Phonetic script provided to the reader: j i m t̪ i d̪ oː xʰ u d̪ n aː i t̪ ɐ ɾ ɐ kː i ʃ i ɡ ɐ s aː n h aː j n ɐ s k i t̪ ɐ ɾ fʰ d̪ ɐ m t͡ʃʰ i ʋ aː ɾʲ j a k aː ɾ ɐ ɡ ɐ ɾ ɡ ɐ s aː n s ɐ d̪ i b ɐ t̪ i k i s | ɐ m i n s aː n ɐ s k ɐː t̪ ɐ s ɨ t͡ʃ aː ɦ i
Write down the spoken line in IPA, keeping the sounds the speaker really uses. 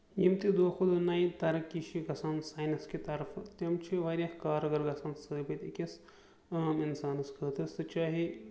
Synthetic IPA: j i m t̪ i d̪ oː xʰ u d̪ n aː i t̪ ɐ ɾ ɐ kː i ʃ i ɡ ɐ s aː n s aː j n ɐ s k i t̪ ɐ ɾ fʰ t̪ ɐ m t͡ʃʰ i ʋ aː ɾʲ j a k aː ɾ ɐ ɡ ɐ ɾ ɡ ɐ s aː n s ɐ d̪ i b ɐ t̪ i k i s | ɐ m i n s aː n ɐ s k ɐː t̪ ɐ s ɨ t͡ʃ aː ɦ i